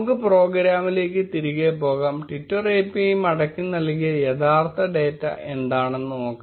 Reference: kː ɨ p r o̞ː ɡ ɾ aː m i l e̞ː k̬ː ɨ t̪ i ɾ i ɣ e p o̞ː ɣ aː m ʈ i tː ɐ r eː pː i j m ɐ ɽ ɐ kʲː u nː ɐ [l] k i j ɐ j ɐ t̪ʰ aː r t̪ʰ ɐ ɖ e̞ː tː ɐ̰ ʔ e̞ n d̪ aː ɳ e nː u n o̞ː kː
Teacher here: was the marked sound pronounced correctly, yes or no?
yes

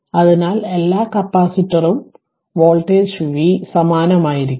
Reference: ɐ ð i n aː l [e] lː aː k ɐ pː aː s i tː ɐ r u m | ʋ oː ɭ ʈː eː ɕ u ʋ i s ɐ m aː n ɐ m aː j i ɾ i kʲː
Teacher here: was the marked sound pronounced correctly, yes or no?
yes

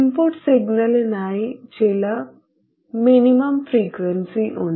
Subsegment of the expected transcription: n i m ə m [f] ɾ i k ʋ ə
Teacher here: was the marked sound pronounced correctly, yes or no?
yes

